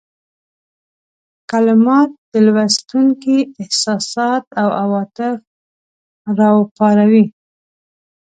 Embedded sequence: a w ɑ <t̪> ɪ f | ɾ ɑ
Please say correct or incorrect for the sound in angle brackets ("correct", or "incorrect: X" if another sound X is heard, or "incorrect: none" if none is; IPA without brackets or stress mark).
correct